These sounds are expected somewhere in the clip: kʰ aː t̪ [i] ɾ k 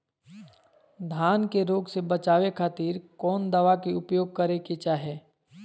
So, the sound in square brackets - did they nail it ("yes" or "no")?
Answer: no